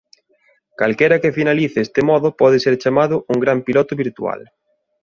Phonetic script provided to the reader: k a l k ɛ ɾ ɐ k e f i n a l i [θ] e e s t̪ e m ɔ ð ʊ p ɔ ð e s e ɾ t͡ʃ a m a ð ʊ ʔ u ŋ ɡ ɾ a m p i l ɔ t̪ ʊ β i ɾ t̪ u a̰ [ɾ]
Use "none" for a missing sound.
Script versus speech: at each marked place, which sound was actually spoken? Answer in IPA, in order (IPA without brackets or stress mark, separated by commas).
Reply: θ, l